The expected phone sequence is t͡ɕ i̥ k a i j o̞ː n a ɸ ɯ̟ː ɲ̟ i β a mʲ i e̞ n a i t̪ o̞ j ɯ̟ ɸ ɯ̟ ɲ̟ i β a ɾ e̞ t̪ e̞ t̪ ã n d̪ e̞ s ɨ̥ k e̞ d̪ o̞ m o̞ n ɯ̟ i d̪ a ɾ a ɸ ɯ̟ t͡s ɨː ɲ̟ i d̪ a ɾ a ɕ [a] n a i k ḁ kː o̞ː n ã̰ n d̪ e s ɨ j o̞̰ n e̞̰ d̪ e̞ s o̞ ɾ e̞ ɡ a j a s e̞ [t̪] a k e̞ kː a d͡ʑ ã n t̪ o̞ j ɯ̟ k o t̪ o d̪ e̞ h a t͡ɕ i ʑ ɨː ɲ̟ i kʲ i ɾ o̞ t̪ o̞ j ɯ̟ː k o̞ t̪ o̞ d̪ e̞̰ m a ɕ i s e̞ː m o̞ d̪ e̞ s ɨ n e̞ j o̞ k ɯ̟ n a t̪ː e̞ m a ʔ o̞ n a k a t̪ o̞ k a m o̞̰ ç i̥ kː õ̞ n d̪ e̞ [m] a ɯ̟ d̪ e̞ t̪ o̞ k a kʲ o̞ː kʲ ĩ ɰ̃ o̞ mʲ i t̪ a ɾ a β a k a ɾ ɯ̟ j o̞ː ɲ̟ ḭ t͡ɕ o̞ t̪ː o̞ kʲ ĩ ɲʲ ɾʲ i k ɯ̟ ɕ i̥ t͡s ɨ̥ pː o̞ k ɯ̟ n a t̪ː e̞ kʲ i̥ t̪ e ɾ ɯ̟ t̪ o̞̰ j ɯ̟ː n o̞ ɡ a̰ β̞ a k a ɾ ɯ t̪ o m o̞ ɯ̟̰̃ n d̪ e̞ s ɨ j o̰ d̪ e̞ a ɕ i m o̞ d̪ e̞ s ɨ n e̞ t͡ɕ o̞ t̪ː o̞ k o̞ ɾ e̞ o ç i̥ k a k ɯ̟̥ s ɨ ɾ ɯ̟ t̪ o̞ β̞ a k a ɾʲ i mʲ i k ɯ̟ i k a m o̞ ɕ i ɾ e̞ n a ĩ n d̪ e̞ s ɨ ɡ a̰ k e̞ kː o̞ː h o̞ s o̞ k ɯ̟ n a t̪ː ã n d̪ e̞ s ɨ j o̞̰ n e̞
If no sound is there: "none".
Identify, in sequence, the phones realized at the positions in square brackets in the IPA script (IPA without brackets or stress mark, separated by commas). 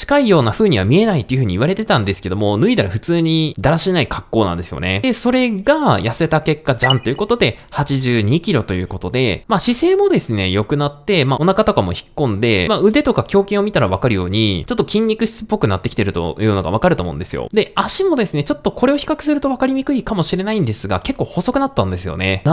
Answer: i, t̪, m